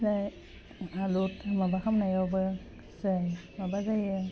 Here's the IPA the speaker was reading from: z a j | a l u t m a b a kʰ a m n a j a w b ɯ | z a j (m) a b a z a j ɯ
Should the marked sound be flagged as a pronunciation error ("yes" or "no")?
no